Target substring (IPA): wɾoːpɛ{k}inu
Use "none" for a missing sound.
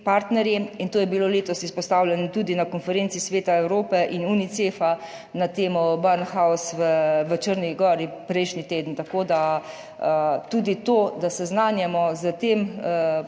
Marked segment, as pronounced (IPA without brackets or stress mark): ʔ